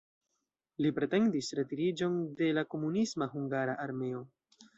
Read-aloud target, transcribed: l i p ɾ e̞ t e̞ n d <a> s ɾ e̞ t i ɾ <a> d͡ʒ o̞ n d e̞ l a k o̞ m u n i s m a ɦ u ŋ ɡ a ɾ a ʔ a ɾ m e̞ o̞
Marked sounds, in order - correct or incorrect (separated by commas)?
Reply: incorrect, incorrect